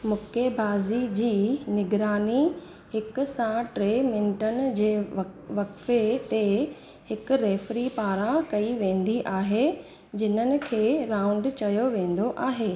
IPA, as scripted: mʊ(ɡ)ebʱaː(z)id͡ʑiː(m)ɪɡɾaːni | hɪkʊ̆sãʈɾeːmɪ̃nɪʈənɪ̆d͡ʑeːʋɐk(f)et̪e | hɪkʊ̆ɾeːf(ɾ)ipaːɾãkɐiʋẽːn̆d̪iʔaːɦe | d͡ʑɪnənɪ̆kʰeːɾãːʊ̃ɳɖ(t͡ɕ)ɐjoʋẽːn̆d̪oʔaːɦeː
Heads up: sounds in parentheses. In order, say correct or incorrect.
incorrect: k, correct, incorrect: n, correct, correct, correct

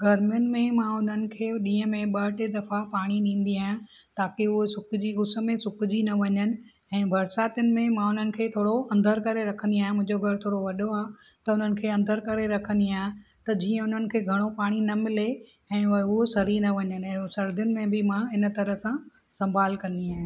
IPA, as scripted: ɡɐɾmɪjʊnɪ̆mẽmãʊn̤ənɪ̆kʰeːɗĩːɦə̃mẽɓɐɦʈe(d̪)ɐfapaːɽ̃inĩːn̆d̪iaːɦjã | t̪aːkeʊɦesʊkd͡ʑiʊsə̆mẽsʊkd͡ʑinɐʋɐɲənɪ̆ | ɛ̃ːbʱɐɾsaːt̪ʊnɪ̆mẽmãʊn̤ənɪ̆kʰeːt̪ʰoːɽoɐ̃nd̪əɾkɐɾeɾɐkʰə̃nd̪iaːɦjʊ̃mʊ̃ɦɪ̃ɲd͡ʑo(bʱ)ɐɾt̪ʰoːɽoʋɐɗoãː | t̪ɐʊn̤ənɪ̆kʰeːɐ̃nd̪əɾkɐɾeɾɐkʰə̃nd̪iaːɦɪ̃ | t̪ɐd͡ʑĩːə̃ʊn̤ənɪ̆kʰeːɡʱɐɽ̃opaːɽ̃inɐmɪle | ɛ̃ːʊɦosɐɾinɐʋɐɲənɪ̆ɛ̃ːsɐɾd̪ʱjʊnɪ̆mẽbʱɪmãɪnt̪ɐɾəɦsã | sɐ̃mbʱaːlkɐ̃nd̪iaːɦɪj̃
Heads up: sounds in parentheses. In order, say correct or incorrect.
correct, incorrect: ɡʱ

